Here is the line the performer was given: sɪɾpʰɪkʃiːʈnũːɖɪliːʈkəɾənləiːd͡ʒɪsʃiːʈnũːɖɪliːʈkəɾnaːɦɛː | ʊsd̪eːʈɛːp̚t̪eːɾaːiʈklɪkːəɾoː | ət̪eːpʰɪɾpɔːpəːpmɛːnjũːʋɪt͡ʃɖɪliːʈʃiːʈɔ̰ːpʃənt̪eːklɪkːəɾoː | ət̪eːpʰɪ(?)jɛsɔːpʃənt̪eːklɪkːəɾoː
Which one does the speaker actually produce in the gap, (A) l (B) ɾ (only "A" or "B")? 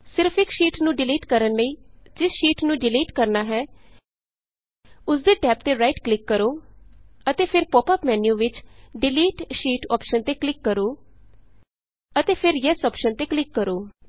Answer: B